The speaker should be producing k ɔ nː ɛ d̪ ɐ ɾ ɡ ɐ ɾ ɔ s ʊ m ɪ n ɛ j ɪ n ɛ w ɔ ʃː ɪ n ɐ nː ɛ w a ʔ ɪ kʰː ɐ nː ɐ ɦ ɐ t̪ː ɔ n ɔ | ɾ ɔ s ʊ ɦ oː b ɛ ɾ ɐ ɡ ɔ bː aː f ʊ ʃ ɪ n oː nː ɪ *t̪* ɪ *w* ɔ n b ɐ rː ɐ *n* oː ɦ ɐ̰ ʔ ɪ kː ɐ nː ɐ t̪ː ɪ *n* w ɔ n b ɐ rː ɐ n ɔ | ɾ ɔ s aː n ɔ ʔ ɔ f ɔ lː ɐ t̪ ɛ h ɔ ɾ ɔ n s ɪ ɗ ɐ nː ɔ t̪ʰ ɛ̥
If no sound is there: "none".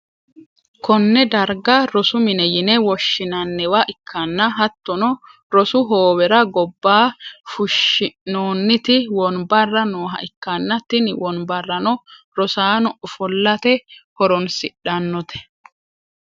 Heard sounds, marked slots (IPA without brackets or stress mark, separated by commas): t̪, w, n, n